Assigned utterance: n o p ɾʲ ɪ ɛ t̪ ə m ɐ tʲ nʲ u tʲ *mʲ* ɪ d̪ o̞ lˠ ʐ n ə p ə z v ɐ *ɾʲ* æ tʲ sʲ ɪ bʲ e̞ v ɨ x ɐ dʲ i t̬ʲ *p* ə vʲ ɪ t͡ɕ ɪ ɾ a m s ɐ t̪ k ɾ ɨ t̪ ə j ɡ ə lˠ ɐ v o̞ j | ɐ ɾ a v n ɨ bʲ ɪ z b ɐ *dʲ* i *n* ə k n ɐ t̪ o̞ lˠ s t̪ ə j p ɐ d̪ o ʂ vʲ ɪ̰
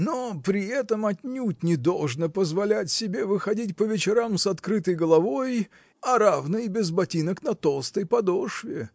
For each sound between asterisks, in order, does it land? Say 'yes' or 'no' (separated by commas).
no, no, yes, no, yes